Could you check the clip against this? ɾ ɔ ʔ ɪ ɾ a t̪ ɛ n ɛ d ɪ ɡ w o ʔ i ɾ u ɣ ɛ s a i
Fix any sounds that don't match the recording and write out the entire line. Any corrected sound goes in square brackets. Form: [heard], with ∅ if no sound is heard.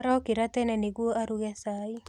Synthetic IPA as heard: ɾ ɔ [k] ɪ ɾ a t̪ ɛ n ɛ [n] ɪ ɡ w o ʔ [a] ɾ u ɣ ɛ s a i

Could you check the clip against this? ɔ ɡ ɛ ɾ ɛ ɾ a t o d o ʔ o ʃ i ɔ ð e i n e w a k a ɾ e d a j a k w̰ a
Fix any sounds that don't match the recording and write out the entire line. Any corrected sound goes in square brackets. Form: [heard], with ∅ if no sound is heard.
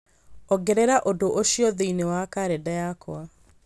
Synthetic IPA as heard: ɔ ɡ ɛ ɾ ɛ ɾ a [ʔ] o d o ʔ o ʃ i ɔ ð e i n e w a k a ɾ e d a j a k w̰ a

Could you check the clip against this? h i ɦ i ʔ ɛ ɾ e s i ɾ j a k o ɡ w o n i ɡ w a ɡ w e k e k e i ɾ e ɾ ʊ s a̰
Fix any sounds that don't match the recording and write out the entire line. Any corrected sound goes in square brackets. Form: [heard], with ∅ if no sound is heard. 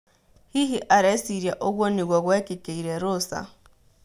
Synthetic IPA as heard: h i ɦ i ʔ [a] ɾ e s i ɾ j a [ʔ] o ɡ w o n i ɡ w a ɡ w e k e k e i ɾ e ɾ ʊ s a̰

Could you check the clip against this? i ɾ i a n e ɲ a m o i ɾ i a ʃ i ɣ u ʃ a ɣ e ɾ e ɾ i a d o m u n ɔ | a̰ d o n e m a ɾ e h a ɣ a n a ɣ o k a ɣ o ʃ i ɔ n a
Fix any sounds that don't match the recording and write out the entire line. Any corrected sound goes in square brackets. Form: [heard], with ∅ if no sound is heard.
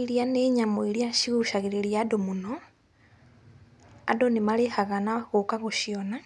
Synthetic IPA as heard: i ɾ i a n e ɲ a m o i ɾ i a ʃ i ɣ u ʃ a ɣ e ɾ e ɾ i a d o m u n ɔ | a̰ d o n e m a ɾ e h a ɣ a n a ɣ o k a ɣ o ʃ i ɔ n a

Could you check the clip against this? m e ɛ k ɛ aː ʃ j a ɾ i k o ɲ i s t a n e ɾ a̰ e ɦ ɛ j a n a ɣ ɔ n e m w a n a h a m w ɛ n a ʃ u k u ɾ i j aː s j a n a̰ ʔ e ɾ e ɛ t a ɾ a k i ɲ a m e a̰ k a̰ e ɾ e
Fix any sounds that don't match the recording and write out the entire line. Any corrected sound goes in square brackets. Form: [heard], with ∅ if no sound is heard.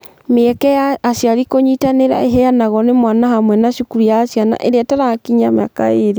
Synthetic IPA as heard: m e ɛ k ɛ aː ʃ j a ɾ i k o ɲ i [∅] t a n e ɾ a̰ e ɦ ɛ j a n a ɣ ɔ n e m w a n a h a m w ɛ n a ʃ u k u ɾ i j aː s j a n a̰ ʔ e ɾ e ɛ t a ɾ a k i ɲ a m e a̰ k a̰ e ɾ e

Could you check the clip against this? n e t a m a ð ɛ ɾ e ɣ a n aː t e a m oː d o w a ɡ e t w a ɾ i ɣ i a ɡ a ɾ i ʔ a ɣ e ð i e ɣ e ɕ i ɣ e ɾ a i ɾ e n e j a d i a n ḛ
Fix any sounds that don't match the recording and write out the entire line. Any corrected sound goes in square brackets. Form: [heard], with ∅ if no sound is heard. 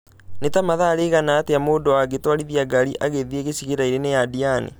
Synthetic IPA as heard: n e t a m a ð [a] ɾ e ɣ a n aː t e a m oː d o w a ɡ e t w a ɾ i [ð] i a ɡ a ɾ i ʔ a ɣ e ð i e ɣ e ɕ i ɣ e ɾ a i ɾ e n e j a d i a n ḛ

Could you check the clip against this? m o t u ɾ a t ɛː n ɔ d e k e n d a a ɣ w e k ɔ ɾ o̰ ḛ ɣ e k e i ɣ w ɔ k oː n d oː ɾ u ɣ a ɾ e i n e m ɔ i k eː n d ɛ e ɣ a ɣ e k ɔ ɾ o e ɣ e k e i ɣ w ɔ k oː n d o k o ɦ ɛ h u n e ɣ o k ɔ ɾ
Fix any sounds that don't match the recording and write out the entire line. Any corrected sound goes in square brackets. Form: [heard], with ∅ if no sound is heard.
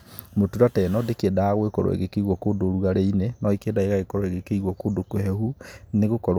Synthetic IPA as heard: m o t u ɾ a t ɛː n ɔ d e k e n d a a ɣ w e k ɔ ɾ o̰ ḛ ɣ e k e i ɣ w ɔ k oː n d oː ɾ u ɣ a ɾ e i n e [n] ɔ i k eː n d [a] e ɣ a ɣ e k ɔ ɾ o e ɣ e k e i ɣ w ɔ k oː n d o k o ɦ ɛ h u n e ɣ o k ɔ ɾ

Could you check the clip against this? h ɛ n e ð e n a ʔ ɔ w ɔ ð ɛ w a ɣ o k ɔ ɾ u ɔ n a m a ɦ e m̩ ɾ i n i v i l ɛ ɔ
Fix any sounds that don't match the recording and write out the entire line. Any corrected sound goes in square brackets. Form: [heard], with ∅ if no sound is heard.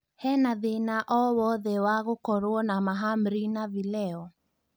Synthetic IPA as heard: h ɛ n [a] ð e n a ʔ ɔ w ɔ ð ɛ w a ɣ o k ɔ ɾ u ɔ n a m a ɦ [a] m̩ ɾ i n [a] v i l ɛ ɔ

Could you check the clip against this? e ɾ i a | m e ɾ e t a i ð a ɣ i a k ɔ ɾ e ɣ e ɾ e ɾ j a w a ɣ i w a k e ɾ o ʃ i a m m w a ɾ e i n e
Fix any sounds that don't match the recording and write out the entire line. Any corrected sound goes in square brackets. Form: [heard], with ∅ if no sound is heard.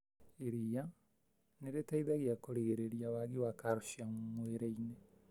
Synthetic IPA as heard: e ɾ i a | [n] e ɾ e t a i ð a ɣ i a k [o] ɾ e ɣ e ɾ e ɾ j a w a ɣ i w a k [a] ɾ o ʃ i a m m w [e] ɾ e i n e

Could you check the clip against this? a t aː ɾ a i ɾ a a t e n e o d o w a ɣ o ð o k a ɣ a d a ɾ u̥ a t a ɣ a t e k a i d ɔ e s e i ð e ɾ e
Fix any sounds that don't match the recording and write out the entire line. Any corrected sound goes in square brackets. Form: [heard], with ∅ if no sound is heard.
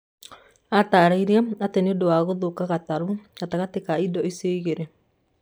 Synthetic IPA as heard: a t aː ɾ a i ɾ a a t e n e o d o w a ɣ o ð o k a ɣ a [t] a ɾ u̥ a t a ɣ a t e k a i d ɔ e s e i [ɣ] e ɾ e

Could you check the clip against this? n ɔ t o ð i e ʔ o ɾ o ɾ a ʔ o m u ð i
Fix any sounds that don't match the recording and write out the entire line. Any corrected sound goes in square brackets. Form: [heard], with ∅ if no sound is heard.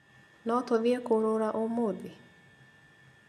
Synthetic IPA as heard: n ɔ t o ð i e [k] o ɾ o ɾ a ʔ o m [o] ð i

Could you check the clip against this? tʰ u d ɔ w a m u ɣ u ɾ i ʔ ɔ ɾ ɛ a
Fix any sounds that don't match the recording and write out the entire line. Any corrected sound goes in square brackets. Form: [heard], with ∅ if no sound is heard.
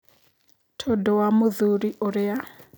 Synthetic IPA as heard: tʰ [ɔ] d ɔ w a m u [ð] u ɾ i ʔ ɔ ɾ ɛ a

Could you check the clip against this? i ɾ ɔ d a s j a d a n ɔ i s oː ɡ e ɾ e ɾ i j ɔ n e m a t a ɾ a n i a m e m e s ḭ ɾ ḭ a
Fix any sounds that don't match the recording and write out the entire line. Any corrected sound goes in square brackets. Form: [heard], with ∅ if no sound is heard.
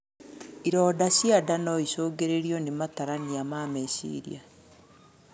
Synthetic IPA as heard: i ɾ ɔ d a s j a d a n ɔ i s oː ɡ e ɾ e ɾ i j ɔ n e m a t a ɾ a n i a m [a] m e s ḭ ɾ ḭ a

